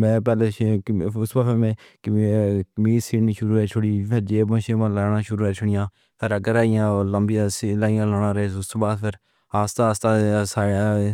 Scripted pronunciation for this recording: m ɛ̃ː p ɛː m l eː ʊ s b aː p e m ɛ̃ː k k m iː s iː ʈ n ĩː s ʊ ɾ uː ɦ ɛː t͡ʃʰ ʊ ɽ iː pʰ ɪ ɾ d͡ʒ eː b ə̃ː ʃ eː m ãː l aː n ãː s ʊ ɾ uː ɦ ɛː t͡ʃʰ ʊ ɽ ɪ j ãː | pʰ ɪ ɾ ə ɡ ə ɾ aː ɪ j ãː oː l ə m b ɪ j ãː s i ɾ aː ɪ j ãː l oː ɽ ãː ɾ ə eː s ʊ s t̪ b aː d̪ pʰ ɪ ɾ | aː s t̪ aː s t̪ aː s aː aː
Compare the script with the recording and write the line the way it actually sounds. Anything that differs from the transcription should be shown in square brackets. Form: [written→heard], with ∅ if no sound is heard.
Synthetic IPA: m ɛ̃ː p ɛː [m→∅] l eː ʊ s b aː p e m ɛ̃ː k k m iː s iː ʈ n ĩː [s→ʃ] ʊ ɾ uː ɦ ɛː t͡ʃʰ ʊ ɽ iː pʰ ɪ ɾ d͡ʒ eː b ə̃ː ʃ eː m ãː l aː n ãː [s→ʃ] ʊ ɾ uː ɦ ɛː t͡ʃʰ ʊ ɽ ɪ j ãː | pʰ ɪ ɾ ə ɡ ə ɾ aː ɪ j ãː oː l ə m b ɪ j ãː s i [ɾ→l] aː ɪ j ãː l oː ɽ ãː ɾ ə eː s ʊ s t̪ b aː d̪ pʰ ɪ ɾ | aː s t̪ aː s t̪ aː s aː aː